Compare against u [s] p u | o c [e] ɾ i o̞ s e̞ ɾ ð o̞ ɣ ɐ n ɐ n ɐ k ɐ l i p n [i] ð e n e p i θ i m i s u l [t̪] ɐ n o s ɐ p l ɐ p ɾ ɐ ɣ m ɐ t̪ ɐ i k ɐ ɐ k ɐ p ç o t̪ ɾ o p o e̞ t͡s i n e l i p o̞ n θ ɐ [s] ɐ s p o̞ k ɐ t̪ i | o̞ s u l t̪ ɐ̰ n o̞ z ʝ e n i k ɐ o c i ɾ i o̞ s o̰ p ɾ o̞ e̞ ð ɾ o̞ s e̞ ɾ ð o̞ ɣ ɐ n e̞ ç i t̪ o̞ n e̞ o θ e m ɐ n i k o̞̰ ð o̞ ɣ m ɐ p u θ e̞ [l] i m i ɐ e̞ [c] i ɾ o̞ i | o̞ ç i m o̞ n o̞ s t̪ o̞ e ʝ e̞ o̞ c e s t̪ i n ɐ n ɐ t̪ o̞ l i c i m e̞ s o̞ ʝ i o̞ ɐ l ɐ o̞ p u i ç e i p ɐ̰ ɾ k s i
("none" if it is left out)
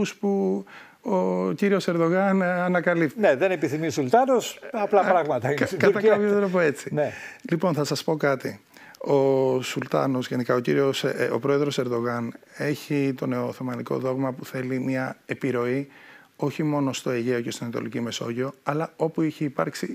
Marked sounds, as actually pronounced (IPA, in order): s, i, e, t̪, s, l, p

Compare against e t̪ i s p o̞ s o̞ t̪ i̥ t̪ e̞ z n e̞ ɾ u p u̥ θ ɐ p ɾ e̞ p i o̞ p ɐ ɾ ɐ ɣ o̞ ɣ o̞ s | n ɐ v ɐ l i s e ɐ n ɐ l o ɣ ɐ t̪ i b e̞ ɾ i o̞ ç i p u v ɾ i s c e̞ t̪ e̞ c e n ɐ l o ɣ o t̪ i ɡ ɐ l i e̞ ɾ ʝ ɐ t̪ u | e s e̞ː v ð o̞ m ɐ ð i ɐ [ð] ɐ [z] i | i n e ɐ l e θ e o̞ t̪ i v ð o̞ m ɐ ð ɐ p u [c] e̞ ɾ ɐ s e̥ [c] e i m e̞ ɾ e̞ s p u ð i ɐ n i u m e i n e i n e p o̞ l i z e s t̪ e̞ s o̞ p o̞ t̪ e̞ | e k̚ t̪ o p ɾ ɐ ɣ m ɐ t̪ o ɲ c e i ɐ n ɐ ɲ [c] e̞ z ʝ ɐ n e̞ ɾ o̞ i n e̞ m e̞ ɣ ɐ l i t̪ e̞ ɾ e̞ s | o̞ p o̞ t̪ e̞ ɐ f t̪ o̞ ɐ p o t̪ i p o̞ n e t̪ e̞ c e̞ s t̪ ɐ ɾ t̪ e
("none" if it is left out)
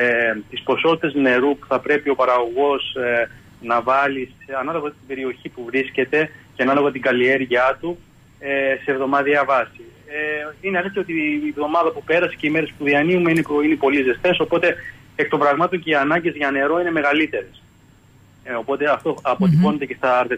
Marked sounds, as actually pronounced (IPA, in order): v, s, p, c, ɟ

